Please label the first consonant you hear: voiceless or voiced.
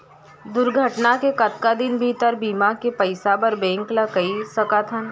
voiced